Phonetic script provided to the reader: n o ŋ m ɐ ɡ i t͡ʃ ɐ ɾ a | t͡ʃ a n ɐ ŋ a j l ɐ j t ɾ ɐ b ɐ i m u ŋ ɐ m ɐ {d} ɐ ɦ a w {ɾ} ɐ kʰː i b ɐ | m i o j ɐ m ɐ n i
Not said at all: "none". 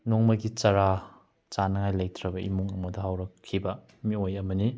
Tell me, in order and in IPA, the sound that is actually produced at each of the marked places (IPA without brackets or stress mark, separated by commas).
d, ɾ